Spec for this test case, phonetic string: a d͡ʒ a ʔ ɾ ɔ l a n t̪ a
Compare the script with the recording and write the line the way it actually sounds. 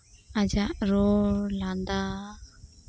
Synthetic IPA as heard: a d͡ʒ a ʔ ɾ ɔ l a n d̪ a